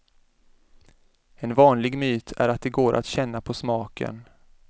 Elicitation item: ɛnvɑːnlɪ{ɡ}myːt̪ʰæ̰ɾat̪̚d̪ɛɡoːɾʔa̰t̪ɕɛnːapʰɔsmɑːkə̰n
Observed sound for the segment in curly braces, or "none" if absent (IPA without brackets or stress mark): ɡ